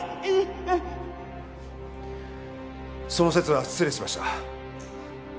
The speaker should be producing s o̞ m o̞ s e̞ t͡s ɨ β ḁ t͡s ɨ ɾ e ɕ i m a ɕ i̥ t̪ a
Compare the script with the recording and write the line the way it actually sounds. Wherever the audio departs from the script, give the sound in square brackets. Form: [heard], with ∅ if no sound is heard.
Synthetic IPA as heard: s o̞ [n] o̞ s e̞ t͡s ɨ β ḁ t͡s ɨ ɾ e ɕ i m a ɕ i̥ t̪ a